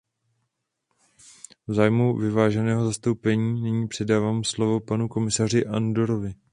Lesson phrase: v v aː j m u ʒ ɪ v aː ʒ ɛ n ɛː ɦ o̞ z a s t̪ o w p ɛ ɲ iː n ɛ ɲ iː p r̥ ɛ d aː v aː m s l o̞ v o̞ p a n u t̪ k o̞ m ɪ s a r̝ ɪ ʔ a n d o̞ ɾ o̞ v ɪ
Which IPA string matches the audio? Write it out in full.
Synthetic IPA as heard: v z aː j m u v ɪ v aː ʒ ɛ n ɛː ɦ o̞ z a s t̪ o w p ɛ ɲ iː n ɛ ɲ iː p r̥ ɛ d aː v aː m s l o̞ v o̞ p a n u k o̞ m ɪ s a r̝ ɪ ʔ a n d o̞ ɾ o̞ v ɪ